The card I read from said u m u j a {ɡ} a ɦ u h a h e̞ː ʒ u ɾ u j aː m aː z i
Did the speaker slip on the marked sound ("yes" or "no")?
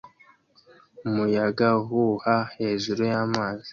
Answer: no